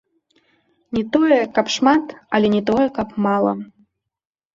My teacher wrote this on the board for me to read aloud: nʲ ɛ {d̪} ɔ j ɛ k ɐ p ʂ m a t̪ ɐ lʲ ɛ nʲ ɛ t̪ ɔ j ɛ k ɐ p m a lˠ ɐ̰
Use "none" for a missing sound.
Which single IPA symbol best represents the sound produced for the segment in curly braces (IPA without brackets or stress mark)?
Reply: t̪